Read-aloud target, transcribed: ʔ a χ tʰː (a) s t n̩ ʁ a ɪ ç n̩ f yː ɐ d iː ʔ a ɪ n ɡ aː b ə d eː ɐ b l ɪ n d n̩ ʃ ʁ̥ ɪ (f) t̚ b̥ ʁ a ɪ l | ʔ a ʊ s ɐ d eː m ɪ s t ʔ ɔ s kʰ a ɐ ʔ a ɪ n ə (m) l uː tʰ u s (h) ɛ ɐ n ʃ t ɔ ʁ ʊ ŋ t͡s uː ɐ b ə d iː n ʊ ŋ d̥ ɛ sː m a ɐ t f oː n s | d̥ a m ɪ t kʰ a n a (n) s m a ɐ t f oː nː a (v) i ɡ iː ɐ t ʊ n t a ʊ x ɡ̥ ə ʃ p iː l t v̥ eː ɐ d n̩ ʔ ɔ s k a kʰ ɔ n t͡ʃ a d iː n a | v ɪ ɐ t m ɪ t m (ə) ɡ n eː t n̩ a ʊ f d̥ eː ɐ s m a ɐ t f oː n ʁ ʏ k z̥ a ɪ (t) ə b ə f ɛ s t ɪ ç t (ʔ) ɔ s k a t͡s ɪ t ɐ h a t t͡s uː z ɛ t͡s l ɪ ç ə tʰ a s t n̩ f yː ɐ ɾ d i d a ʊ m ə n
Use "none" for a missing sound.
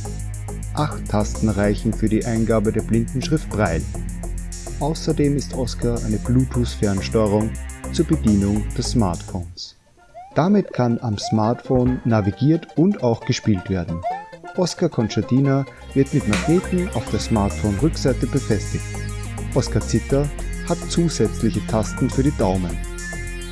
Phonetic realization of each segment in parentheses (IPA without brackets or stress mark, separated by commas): a, f, b, f, m, v, a, t, ʔ